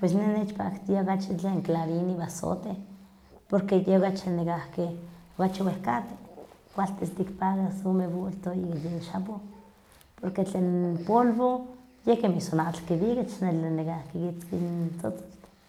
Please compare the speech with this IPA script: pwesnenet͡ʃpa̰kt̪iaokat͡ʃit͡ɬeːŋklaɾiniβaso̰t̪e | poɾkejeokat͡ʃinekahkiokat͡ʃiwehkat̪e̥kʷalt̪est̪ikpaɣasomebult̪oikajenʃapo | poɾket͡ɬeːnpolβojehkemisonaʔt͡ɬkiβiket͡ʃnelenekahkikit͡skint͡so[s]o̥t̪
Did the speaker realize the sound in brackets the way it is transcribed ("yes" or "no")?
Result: no